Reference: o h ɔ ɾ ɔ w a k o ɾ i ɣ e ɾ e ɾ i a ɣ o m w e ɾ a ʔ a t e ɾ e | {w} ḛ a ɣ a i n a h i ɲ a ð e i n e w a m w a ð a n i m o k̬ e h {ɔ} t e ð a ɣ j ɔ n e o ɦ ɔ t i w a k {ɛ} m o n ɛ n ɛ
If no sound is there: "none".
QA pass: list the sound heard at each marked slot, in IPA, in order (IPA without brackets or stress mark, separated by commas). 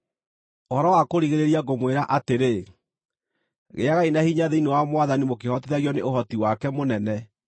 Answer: ɣ, ɔ, ɛ